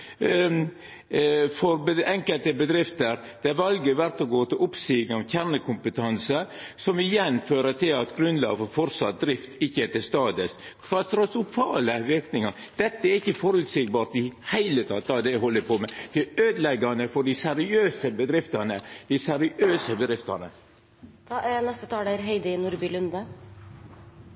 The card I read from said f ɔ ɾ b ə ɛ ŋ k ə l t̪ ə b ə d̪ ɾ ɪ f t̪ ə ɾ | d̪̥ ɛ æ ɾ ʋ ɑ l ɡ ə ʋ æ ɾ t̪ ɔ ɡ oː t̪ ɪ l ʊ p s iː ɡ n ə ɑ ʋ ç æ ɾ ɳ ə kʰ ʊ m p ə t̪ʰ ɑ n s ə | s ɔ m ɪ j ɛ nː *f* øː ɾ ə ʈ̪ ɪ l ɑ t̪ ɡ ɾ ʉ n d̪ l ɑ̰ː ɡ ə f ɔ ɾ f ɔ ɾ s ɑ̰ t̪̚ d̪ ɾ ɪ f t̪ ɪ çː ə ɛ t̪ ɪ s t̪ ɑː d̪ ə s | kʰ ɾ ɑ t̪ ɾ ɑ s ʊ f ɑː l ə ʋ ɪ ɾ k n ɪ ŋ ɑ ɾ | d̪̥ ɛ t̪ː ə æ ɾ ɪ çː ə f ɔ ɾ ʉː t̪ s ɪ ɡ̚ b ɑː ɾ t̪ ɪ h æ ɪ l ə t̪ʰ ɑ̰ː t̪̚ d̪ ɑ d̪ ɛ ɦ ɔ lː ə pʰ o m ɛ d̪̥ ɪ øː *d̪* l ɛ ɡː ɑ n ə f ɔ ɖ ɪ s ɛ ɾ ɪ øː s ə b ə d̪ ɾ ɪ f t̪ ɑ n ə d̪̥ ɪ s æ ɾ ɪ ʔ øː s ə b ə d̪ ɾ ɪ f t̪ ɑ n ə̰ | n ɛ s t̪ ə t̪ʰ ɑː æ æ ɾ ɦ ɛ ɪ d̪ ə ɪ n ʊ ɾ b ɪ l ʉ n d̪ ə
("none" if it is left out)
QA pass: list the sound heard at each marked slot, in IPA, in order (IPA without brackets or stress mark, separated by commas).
f, d̪